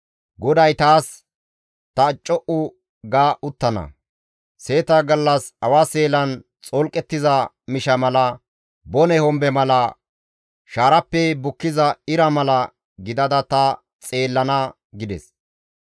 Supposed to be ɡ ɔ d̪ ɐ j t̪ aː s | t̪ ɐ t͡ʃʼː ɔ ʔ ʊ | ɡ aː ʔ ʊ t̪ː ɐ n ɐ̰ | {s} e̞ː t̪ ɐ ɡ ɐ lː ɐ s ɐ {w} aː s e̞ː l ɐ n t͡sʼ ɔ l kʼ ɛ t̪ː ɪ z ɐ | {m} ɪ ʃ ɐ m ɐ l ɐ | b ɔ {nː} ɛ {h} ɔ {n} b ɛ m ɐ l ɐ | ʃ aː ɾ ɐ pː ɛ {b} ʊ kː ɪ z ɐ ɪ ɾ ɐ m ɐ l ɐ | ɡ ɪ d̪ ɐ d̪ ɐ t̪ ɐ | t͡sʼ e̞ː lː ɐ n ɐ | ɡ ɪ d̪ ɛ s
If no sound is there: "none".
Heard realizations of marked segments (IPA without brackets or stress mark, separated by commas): s, w, m, n, h, m, b